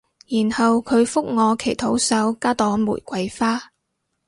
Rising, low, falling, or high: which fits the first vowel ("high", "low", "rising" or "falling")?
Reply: low